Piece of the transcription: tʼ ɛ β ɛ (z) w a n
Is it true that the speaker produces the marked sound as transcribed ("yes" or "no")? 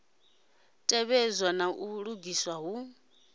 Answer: yes